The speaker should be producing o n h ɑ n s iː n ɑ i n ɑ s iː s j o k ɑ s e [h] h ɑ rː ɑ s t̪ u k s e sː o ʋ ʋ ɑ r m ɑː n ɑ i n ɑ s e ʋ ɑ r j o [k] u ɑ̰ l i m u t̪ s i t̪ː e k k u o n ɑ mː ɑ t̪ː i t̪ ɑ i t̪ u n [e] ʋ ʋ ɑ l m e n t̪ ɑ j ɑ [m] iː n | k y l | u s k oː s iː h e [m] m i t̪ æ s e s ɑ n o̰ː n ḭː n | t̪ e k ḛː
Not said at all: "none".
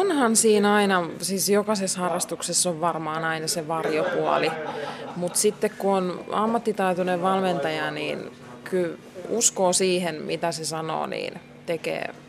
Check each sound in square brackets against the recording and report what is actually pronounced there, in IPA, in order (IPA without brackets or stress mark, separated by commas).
s, p, e, n, n